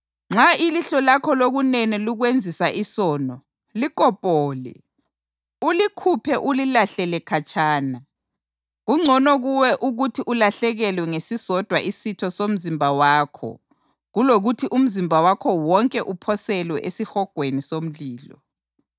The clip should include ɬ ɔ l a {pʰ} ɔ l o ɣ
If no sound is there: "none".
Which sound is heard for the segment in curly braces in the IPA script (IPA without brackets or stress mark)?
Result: kʰ